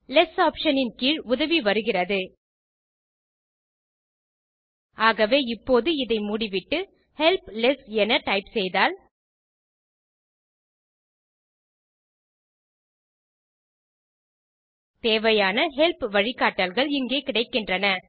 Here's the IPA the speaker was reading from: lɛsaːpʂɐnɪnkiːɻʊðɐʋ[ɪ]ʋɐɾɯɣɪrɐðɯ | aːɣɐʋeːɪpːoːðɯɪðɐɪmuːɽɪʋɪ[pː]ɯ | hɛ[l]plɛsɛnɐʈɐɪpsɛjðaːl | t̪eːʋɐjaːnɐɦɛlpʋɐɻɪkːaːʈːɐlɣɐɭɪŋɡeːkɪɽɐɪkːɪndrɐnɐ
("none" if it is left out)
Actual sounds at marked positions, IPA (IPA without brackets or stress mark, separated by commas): i, ʈː, l